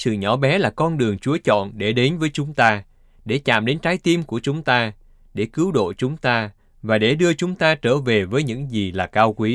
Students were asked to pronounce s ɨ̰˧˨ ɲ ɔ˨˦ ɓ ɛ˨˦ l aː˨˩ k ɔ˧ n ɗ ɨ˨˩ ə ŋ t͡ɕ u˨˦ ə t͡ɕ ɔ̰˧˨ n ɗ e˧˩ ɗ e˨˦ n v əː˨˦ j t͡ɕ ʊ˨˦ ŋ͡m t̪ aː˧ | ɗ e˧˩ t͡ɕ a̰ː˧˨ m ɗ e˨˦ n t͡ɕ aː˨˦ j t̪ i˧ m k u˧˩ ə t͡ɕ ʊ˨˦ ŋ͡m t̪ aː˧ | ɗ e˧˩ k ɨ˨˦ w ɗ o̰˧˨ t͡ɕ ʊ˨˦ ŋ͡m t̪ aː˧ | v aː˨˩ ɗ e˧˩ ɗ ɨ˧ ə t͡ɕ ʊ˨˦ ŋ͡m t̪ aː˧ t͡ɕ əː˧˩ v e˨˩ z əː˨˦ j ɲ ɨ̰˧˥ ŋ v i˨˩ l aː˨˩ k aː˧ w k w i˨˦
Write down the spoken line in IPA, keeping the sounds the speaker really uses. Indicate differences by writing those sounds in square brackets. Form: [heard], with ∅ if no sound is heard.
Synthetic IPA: s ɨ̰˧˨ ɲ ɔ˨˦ ɓ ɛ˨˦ l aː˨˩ k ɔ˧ n ɗ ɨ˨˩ ə ŋ t͡ɕ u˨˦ ə t͡ɕ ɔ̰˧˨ n ɗ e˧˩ ɗ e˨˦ n v əː˨˦ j t͡ɕ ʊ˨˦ ŋ͡m t̪ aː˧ | ɗ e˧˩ t͡ɕ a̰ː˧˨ m ɗ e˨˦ n t͡ɕ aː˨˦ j t̪ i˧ m k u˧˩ ə t͡ɕ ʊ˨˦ ŋ͡m t̪ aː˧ | ɗ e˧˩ k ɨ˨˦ w ɗ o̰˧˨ t͡ɕ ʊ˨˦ ŋ͡m t̪ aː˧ | v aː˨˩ ɗ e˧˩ ɗ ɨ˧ ə t͡ɕ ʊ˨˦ ŋ͡m t̪ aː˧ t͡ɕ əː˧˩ v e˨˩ [v] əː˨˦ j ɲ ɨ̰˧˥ ŋ [z] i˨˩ l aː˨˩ k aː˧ w k w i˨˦